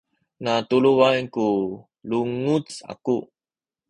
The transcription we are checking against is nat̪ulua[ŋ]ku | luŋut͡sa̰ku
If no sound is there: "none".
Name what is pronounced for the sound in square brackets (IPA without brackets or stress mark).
n